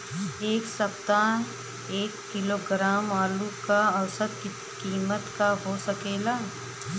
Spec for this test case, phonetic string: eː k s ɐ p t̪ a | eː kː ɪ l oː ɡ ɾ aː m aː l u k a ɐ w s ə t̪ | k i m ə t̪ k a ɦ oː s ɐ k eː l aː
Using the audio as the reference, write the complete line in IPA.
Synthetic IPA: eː k s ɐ p t̪ a | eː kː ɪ l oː ɡ ɾ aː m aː l u k a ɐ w s ə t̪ | k iː m ə t̪ k a ɦ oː s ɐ k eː l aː